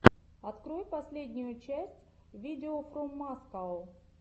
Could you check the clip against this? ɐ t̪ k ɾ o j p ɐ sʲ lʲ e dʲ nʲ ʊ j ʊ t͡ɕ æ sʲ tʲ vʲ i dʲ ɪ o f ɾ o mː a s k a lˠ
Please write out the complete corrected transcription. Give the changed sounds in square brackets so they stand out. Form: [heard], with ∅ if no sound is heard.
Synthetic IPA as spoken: ɐ t̪ k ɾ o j p ɐ sʲ lʲ e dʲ nʲ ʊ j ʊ t͡ɕ æ sʲ tʲ vʲ i dʲ ɪ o f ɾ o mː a s k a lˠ